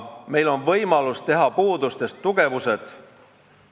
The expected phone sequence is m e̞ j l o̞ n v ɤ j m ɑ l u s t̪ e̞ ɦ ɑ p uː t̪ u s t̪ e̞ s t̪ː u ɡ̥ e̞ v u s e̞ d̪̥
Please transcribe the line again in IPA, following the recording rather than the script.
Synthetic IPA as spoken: m e̞ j l o̞ n v ɤ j m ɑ l u s t̪ e̞ ɦ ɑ p uː d̪ u s t̪ e̞ s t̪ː u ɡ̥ e̞ v u s e̞ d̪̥